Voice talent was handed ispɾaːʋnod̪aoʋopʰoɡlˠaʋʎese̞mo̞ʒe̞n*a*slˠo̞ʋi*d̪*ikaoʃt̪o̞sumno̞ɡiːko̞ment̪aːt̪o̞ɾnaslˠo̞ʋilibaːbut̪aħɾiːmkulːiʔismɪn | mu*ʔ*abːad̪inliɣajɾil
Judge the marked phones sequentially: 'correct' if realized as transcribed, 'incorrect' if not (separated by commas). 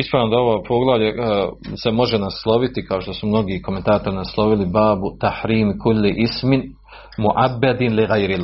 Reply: correct, incorrect, correct